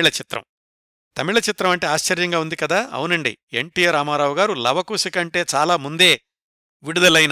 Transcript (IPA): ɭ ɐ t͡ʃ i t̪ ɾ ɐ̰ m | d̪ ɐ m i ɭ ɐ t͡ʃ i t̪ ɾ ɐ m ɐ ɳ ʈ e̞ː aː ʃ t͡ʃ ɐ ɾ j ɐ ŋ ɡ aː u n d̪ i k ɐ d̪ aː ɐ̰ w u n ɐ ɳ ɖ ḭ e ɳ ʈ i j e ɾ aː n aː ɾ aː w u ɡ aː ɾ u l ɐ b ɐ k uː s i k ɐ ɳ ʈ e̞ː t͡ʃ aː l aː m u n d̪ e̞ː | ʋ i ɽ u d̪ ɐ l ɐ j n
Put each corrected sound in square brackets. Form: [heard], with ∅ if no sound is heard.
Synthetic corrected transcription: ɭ ɐ t͡ʃ i t̪ ɾ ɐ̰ m | [t̪] ɐ m i ɭ ɐ t͡ʃ i t̪ ɾ ɐ m ɐ ɳ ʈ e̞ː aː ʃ t͡ʃ ɐ ɾ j ɐ ŋ ɡ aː u n d̪ i k ɐ d̪ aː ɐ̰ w u n ɐ ɳ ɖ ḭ e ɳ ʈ i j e ɾ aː [m] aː ɾ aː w u ɡ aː ɾ u l ɐ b ɐ k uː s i k ɐ ɳ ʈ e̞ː t͡ʃ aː l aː m u n d̪ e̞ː | ʋ i ɽ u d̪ ɐ l ɐ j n